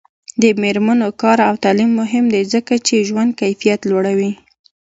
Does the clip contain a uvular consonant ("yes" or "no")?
no